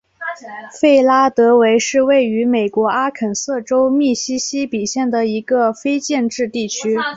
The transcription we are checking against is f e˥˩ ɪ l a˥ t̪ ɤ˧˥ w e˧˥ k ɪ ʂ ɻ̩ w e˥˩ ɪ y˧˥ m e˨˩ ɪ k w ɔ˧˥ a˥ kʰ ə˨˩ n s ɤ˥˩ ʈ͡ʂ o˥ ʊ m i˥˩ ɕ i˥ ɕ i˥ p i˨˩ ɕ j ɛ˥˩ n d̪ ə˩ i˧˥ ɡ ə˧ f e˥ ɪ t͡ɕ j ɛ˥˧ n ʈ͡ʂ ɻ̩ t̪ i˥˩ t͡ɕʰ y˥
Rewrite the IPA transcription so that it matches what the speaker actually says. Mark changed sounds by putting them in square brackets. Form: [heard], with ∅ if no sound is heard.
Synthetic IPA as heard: f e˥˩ ɪ l a˥ t̪ ɤ˧˥ w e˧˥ [∅] ɪ ʂ ɻ̩ w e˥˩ ɪ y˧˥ m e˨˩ ɪ k w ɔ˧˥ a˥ kʰ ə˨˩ n s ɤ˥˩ ʈ͡ʂ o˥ ʊ m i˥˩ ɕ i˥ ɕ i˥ p i˨˩ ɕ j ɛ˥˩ n d̪ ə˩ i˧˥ ɡ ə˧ f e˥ ɪ t͡ɕ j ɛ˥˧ n ʈ͡ʂ ɻ̩ t̪ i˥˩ t͡ɕʰ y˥